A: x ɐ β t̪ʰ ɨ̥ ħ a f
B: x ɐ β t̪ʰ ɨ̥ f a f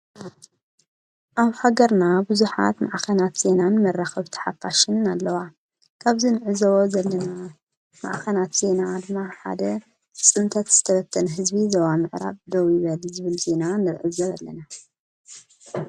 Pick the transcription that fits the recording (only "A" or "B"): A